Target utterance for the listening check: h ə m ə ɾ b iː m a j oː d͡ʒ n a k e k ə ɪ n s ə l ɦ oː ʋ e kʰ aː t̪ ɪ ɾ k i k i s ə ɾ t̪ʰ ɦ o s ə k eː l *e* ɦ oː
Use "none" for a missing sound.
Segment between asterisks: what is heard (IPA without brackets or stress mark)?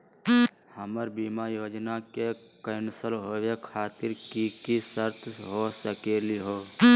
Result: i